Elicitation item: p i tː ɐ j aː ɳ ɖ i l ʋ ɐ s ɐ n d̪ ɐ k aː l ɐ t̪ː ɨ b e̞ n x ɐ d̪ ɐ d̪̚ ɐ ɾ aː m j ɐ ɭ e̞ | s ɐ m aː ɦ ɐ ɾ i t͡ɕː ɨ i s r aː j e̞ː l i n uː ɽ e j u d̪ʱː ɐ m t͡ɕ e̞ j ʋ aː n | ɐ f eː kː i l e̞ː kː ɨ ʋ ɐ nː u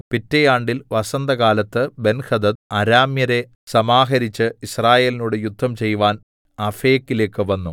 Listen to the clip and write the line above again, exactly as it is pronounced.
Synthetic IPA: p i tː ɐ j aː ɳ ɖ i l ʋ ɐ s ɐ n d̪ ɐ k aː l ɐ t̪ː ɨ b e̞ n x ɐ d̪ ɐ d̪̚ ɐ ɾ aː m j ɐ ɾ e̞ | s ɐ m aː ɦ ɐ ɾ i t͡ɕː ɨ i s r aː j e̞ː l i n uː ɽ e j u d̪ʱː ɐ m t͡ɕ e̞ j ʋ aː n | ɐ f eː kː i l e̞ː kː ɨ ʋ ɐ nː u